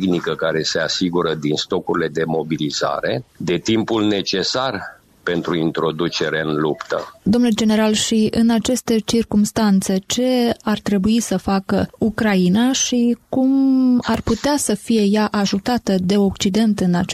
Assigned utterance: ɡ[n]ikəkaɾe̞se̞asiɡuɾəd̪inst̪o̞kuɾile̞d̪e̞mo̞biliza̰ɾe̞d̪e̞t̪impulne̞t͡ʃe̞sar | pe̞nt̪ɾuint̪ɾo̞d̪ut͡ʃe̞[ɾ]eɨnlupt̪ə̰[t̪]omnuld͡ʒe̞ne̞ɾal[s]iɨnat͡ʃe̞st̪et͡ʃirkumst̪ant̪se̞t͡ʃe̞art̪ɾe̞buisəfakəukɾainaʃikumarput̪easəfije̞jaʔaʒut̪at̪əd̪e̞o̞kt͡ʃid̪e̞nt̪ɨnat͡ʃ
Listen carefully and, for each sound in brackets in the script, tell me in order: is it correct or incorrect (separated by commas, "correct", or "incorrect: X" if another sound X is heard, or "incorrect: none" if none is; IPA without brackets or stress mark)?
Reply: correct, correct, incorrect: d̪, incorrect: ʃ